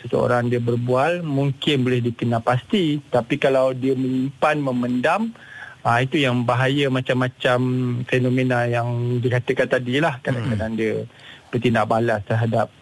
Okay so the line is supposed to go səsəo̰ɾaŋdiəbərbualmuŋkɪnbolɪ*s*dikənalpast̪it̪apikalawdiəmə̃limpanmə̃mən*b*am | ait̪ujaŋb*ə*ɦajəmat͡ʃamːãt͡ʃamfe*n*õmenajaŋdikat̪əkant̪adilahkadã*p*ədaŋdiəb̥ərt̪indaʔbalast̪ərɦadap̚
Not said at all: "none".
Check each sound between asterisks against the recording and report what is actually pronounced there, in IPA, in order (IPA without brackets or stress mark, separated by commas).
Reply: h, d, a, n, k